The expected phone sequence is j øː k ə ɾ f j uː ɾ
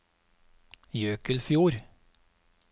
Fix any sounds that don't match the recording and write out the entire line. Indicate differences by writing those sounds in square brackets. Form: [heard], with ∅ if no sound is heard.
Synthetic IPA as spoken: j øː k ə [l] f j uː ɾ